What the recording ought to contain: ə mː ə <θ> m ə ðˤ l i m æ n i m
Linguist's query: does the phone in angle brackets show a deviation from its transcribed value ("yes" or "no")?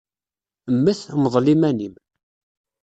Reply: no